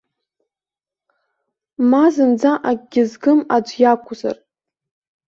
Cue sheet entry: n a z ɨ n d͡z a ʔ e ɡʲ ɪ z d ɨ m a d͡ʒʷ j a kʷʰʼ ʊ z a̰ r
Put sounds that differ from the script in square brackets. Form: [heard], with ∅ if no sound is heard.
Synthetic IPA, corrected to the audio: [m] a z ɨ n d͡z a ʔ [a] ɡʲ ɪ z [ɡ] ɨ m a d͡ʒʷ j a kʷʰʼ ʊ z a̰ r